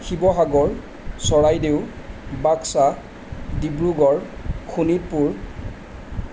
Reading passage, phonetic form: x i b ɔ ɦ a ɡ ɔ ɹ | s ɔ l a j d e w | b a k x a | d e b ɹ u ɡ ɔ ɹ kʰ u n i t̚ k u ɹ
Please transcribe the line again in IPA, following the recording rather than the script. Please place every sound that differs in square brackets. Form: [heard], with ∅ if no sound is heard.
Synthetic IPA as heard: x i b ɔ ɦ a ɡ ɔ ɹ | s ɔ [ɹ] a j d e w | b a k [s] a | d [i] b ɹ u ɡ ɔ ɹ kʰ u n i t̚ [p] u ɹ